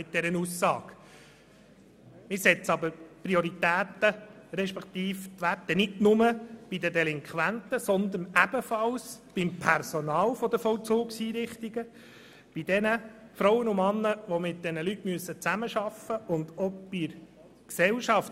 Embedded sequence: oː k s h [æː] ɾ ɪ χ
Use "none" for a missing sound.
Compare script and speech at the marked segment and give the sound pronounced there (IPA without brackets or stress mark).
iː